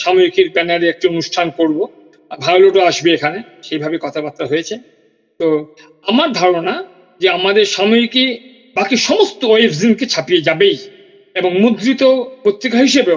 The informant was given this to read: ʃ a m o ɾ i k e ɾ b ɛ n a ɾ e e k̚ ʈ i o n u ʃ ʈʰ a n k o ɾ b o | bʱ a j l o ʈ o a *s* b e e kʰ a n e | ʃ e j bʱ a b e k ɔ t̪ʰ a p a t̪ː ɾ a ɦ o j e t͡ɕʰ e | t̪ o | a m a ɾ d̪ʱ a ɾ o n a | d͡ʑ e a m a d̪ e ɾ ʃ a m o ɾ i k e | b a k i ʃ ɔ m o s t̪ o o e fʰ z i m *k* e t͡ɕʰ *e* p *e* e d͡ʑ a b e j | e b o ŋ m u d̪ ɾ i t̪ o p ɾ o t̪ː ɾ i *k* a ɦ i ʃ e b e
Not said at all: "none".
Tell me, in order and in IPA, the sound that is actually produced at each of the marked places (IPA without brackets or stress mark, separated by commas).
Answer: ʃ, k, a, i, k